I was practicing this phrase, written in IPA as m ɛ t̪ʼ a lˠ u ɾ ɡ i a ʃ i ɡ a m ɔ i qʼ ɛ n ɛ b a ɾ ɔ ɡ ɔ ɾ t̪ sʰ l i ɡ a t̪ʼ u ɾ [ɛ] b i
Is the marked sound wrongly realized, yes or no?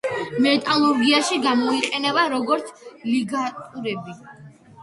no